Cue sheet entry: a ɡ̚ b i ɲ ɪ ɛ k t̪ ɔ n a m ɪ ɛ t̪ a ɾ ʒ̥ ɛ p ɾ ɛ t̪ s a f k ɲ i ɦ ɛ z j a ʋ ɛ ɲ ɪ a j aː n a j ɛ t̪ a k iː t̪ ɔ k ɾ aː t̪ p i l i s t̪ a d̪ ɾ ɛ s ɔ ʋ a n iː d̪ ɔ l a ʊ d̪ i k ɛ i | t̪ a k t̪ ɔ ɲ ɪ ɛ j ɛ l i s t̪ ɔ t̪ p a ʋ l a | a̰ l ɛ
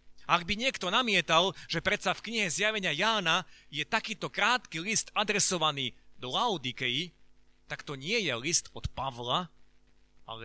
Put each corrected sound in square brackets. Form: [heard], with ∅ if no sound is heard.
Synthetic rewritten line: a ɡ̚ b i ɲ ɪ ɛ k t̪ ɔ n a m ɪ ɛ t̪ a [l] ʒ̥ ɛ p ɾ ɛ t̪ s a f k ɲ i ɦ ɛ z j a ʋ ɛ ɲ ɪ a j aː n a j ɛ t̪ a k iː t̪ ɔ k ɾ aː t̪ [k] i l i s t̪ a d̪ ɾ ɛ s ɔ ʋ a n iː d̪ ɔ l a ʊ d̪ i k ɛ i | t̪ a k t̪ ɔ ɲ ɪ ɛ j ɛ l i s t̪ ɔ t̪ p a ʋ l a | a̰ l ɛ